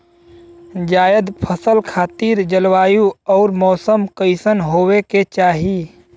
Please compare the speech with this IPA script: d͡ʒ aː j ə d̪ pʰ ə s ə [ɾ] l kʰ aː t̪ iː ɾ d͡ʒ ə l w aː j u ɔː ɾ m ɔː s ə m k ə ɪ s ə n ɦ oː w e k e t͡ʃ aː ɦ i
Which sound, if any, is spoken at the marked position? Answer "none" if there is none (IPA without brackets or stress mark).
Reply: none